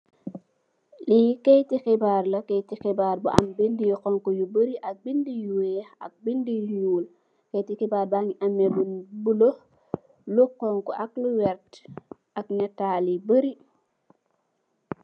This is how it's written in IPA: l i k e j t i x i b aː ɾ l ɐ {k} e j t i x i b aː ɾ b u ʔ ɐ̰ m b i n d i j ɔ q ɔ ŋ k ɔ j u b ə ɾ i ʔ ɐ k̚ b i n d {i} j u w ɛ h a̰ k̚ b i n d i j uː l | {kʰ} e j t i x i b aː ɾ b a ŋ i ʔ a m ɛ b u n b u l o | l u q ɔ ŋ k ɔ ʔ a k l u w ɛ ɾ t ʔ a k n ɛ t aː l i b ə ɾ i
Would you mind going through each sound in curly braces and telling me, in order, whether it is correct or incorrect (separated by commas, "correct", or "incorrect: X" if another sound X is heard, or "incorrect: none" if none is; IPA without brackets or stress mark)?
correct, correct, incorrect: k